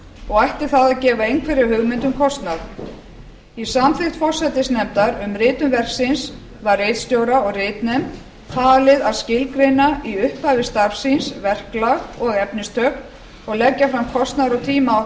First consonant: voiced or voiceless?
voiced